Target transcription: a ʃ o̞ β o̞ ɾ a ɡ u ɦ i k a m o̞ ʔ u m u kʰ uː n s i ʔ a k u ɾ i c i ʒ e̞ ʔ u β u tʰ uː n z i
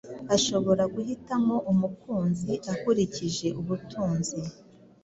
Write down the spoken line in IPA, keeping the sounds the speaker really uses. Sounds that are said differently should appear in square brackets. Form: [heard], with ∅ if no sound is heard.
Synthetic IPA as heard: a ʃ o̞ β o̞ ɾ a ɡ u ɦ i [t] a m o̞ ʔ u m u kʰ uː n [z] i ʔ a k u ɾ i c i ʒ e̞ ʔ u β u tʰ uː n z i